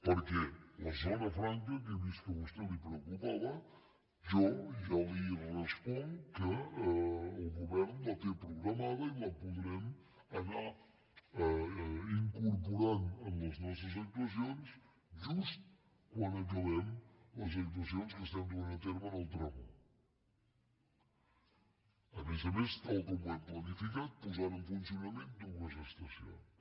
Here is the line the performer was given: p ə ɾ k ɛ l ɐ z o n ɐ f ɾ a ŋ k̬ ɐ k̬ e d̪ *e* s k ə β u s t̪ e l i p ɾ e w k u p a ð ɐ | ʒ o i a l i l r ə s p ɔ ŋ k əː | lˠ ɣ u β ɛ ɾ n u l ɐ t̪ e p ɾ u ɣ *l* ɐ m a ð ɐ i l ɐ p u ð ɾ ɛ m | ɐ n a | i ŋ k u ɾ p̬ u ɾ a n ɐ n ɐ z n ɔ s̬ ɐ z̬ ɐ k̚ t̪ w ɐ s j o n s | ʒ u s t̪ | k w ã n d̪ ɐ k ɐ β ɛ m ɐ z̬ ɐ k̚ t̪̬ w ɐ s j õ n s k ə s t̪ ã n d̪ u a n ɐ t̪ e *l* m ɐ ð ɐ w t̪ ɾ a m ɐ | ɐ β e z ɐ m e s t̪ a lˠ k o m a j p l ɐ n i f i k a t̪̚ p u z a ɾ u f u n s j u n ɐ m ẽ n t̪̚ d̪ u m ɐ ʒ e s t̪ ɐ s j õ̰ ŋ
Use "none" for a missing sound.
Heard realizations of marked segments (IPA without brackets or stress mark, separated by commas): i, ɾ, ɾ